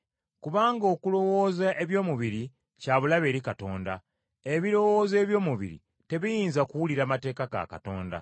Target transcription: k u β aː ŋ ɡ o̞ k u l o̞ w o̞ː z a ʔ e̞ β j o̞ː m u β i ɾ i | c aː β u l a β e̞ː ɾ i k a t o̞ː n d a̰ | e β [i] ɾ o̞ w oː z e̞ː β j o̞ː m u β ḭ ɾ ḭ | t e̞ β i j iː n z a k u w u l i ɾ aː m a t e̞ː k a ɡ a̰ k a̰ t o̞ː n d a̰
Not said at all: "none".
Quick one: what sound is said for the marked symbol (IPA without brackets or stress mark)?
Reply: i